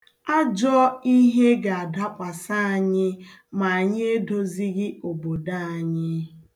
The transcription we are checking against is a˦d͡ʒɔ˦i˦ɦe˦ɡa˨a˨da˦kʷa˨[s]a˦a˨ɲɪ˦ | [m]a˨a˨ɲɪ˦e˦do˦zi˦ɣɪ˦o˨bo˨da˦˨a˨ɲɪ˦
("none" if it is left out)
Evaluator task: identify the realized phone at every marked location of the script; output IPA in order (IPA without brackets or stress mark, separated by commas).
s, m